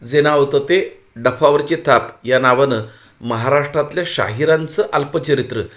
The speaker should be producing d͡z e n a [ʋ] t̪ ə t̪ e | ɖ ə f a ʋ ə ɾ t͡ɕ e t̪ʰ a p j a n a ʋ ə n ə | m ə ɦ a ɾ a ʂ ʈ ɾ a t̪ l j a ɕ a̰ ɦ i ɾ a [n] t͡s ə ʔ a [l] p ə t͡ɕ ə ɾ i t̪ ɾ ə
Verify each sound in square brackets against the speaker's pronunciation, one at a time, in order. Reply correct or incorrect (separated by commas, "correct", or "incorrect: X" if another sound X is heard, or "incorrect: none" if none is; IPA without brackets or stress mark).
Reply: correct, correct, correct